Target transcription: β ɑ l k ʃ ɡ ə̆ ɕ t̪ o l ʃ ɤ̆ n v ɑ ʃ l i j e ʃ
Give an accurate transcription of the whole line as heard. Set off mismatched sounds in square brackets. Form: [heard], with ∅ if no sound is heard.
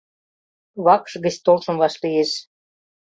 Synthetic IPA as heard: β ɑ [∅] k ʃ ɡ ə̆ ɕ t̪ o l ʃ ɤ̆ [m] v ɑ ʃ l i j e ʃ